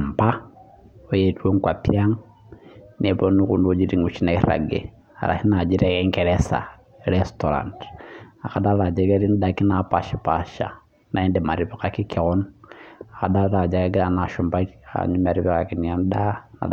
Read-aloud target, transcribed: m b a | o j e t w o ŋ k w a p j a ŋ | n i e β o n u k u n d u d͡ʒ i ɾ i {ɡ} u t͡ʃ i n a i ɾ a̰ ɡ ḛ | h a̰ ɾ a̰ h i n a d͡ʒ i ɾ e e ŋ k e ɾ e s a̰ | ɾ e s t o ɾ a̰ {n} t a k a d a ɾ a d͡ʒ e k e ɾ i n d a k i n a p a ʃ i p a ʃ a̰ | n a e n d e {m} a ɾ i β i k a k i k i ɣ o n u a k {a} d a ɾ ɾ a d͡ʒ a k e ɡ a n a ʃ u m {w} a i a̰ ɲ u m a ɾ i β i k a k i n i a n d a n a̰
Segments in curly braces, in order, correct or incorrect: incorrect: ŋ, correct, correct, correct, incorrect: b

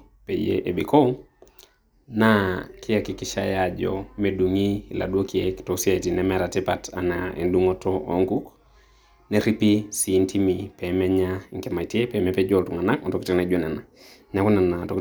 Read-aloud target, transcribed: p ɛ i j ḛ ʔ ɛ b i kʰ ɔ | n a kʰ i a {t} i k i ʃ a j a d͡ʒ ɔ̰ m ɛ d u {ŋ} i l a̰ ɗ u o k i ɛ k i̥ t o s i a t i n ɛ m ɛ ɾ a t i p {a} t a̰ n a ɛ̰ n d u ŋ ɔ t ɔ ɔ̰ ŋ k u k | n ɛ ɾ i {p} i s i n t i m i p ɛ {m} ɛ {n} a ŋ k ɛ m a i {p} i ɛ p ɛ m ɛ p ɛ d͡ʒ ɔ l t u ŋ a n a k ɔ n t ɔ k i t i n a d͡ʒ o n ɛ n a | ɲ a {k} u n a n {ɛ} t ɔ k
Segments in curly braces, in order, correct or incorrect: incorrect: k, correct, correct, correct, correct, incorrect: ɲ, incorrect: t, correct, incorrect: a

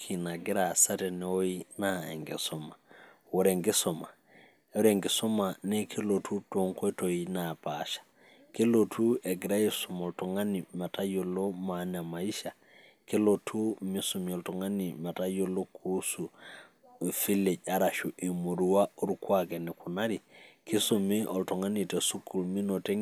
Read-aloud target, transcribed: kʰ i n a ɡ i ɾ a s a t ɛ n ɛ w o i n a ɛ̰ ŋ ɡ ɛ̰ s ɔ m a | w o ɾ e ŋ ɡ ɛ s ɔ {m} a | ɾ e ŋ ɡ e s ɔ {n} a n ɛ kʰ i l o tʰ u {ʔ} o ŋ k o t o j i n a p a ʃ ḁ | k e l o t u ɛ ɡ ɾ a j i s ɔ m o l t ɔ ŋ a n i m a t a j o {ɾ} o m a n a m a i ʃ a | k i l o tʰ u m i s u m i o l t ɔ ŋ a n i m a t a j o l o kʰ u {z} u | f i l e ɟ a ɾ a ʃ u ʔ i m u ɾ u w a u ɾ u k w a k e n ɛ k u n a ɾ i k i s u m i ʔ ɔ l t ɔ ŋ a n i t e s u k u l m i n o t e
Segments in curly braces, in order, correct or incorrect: correct, incorrect: m, incorrect: t, incorrect: l, incorrect: s

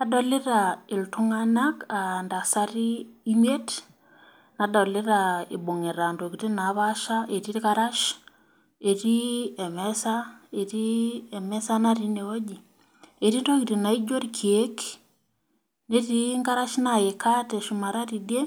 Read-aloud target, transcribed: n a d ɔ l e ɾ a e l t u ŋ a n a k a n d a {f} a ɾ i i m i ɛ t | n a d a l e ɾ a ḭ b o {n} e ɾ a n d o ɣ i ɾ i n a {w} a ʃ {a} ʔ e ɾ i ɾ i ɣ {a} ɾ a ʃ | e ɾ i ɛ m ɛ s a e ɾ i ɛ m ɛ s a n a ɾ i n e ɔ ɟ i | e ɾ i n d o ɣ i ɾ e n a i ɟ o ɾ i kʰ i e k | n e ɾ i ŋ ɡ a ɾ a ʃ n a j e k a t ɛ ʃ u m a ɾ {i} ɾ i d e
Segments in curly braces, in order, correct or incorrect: incorrect: s, incorrect: ŋ, incorrect: β, correct, correct, incorrect: a

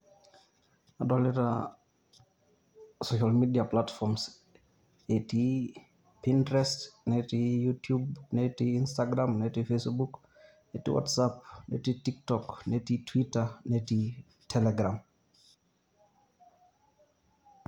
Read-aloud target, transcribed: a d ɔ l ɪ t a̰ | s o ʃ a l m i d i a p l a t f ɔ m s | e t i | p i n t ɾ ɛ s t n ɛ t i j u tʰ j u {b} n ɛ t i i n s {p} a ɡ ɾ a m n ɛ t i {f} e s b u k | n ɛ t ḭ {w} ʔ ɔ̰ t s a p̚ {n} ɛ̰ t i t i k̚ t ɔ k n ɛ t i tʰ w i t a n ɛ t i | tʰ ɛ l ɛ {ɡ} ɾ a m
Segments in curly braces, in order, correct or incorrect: correct, incorrect: t, correct, correct, correct, correct

